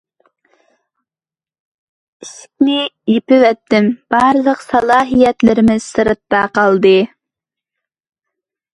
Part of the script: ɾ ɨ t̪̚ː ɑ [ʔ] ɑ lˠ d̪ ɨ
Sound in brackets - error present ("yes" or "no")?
yes